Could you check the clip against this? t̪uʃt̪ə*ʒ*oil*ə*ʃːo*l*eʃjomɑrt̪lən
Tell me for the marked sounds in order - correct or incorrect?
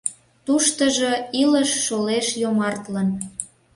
correct, correct, correct

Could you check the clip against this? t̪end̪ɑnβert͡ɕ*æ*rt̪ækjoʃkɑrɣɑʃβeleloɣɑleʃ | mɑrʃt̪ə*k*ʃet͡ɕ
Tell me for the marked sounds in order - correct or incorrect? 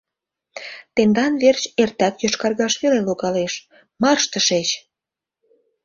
incorrect, incorrect

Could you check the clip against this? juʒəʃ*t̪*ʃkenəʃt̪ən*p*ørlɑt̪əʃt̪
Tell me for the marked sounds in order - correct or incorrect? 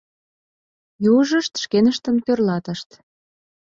correct, correct

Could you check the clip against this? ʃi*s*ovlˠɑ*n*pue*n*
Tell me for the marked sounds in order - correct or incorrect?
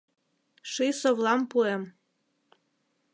correct, incorrect, incorrect

